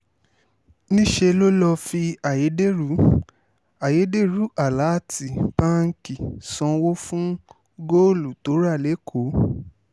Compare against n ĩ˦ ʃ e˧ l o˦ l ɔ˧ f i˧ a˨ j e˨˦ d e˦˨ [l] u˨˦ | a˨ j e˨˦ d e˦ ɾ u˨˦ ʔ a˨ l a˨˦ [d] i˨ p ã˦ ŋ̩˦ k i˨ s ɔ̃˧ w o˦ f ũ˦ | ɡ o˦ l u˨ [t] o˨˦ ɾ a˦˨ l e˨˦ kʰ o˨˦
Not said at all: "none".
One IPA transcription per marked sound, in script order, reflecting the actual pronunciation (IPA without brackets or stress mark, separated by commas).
ɾ, t, t